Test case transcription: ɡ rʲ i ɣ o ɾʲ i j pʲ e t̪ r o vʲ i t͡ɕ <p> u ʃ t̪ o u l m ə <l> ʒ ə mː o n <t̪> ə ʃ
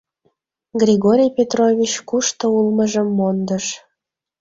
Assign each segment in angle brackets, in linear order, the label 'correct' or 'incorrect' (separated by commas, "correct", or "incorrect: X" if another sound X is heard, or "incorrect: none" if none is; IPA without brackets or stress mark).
incorrect: k, incorrect: none, incorrect: d̪